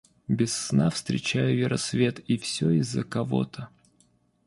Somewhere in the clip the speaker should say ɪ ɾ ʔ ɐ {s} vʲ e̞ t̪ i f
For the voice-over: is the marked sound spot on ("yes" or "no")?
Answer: yes